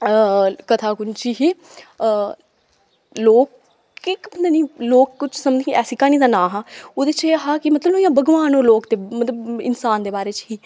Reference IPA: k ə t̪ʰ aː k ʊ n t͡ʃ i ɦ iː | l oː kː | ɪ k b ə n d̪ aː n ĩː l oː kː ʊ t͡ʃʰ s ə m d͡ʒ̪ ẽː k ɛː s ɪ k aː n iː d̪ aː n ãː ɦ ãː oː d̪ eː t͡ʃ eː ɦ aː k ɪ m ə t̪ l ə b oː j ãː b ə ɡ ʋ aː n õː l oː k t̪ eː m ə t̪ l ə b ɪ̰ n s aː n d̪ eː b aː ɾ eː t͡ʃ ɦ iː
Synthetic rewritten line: k ə t̪ʰ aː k ʊ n t͡ʃ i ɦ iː | l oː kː | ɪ k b ə n d̪ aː n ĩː l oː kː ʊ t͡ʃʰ s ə m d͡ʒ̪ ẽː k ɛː s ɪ k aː n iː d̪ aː n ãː ɦ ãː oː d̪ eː t͡ʃ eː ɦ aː k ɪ m ə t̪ l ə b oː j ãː b ə ɡ ʋ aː n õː l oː k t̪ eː m ə t̪ l ə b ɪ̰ n s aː n d̪ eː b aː ɾ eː t͡ʃ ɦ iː